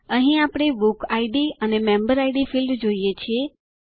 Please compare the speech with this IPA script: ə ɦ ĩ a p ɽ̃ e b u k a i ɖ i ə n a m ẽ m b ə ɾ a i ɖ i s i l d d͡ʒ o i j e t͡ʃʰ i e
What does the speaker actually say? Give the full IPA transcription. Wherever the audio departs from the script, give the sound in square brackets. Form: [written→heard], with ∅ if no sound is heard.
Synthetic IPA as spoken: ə ɦ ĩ a p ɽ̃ e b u k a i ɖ i ə n [a→e] m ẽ m b ə ɾ a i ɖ i [s→f] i l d d͡ʒ o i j e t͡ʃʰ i e